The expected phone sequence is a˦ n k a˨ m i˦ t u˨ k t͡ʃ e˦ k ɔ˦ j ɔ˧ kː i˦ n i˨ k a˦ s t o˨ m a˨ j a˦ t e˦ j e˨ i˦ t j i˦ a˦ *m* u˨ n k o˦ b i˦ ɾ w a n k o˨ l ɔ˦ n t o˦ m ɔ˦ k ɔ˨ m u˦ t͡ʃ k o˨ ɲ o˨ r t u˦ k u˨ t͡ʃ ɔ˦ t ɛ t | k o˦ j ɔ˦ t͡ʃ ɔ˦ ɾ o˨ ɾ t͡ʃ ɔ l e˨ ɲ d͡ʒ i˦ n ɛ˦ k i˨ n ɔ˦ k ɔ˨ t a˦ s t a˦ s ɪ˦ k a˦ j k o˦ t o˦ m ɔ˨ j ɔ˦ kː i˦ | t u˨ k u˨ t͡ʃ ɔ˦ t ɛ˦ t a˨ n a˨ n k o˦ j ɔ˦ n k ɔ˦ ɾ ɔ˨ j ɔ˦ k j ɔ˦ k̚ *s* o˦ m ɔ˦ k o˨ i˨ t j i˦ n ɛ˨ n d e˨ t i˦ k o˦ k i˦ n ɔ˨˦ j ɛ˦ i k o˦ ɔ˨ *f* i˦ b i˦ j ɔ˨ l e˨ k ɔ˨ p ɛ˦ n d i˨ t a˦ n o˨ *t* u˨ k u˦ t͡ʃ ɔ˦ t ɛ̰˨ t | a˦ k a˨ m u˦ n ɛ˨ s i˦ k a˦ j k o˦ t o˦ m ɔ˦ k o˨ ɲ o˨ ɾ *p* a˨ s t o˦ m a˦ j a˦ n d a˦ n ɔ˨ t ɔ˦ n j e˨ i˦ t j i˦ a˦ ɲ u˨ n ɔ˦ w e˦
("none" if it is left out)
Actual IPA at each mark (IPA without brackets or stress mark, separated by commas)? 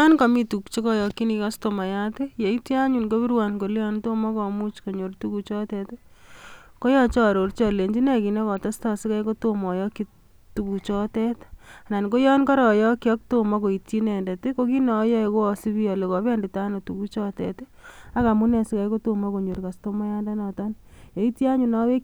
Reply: ɲ, t, s, t, k